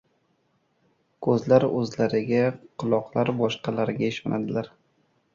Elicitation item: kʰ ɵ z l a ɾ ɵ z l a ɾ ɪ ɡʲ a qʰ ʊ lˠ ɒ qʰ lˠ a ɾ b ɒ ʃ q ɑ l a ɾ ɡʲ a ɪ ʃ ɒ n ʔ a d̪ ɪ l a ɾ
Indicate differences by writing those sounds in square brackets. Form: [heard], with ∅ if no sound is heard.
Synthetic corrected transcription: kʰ ɵ z l a ɾ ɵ z l a ɾ ɪ ɡʲ a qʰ ʊ lˠ ɒ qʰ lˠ a ɾ b ɒ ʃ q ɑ l a ɾ ɡʲ a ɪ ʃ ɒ n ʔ a d̪ ɪ l a ɾ